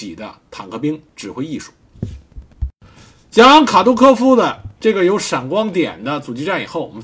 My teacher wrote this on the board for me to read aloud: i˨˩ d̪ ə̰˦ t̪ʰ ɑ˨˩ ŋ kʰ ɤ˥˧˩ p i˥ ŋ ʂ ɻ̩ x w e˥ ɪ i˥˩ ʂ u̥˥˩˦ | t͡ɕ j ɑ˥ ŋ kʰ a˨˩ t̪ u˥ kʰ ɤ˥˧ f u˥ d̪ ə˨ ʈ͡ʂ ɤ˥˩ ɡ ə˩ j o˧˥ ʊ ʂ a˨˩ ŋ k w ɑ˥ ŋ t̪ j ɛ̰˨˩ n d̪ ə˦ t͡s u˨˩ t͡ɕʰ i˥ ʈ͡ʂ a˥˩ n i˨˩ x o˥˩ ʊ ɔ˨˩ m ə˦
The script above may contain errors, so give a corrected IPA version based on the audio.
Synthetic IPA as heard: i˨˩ d̪ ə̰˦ t̪ʰ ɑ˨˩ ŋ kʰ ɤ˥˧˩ p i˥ ŋ ʈ͡ʂ ɻ̩ x w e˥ ɪ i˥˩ ʂ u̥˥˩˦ | t͡ɕ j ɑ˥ ŋ kʰ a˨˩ t̪ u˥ kʰ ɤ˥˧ f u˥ d̪ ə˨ ʈ͡ʂ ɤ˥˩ ɡ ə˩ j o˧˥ ʊ ʂ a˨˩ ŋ k w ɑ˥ ŋ t̪ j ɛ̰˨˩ n d̪ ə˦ t͡s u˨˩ t͡ɕ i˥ ʈ͡ʂ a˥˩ n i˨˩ x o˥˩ ʊ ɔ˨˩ m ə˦